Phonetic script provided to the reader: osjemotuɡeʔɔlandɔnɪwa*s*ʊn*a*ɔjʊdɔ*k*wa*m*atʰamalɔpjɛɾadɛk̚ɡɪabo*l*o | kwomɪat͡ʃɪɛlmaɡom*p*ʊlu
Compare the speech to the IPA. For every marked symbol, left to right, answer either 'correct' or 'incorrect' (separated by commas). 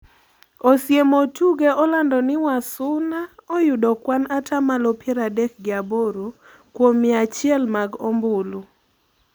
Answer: correct, correct, correct, incorrect, incorrect, incorrect